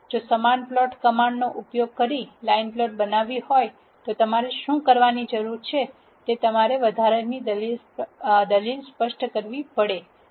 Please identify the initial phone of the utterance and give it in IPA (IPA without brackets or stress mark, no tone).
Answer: d͡ʒ